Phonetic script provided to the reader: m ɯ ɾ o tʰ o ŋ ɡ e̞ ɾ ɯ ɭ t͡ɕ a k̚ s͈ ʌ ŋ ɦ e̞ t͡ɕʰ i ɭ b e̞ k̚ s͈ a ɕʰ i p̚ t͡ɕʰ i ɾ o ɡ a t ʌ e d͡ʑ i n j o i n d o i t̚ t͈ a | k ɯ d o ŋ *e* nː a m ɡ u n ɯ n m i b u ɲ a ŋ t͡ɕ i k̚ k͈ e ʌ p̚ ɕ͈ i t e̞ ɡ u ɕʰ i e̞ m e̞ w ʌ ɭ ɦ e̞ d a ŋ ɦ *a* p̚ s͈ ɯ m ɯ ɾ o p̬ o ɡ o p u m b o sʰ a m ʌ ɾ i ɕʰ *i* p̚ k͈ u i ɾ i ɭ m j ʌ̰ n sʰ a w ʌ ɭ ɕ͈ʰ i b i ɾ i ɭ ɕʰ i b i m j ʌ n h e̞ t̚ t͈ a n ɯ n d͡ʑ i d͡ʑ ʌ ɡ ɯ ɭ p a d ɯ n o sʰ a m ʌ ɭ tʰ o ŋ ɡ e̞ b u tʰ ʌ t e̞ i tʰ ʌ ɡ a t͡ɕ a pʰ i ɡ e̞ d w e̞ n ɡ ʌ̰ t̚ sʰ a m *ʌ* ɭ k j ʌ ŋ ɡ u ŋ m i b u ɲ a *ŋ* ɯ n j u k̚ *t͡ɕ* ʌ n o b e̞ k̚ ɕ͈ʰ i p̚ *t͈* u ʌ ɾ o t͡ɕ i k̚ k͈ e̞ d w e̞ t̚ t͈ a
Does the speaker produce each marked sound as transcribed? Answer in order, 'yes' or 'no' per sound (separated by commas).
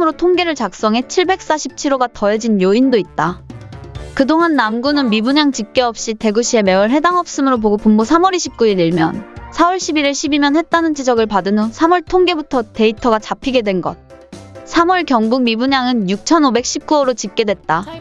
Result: no, no, yes, yes, yes, no, no